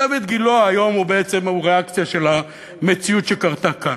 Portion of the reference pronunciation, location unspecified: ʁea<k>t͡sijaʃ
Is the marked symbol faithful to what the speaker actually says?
yes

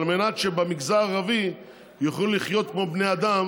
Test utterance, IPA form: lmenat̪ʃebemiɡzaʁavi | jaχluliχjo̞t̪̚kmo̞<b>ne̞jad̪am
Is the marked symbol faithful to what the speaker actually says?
yes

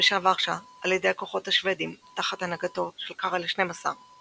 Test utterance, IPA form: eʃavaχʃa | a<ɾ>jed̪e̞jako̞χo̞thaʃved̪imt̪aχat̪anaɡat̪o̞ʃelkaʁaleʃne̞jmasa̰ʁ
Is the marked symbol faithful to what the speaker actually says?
no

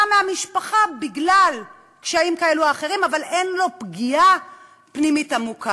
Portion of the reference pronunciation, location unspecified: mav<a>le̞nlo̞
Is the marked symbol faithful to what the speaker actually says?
yes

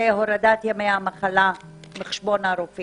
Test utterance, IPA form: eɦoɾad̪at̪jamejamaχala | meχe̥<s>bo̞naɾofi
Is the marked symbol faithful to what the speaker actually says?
no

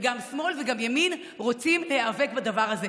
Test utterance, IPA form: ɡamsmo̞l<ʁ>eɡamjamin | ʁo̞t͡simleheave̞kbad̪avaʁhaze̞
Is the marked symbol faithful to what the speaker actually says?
no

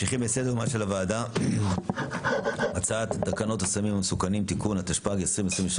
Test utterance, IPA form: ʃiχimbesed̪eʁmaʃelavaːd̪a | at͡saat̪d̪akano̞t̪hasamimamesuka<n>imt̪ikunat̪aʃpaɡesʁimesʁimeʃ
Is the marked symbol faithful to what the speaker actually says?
yes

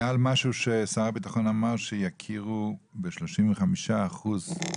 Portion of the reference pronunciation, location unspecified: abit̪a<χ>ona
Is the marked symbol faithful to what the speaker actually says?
yes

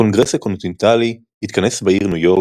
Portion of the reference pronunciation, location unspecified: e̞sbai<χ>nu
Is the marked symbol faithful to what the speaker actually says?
no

